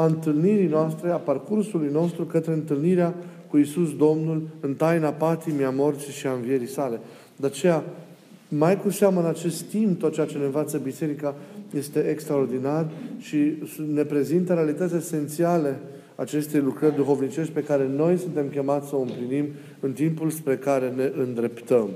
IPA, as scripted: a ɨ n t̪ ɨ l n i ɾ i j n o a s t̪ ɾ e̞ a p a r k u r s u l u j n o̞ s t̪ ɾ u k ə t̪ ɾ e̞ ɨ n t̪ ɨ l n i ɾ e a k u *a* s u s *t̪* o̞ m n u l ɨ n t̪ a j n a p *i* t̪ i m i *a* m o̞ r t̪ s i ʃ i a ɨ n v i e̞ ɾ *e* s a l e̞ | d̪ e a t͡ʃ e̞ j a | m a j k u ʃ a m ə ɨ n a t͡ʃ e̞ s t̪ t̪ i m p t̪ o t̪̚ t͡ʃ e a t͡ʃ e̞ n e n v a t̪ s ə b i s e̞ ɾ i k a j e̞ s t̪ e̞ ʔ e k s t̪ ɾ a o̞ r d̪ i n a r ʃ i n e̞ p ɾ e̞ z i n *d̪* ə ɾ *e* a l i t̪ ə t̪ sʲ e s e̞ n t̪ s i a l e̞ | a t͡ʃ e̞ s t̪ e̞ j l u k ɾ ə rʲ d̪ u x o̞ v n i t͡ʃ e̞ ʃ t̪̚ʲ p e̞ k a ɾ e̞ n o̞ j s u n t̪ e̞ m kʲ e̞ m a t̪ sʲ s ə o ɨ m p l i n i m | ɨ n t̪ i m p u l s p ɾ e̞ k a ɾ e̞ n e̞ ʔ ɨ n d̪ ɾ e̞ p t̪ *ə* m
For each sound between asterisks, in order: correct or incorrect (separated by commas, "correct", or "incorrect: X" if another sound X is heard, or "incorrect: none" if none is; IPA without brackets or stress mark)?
incorrect: i, incorrect: d̪, incorrect: a, correct, incorrect: i, incorrect: t̪, correct, correct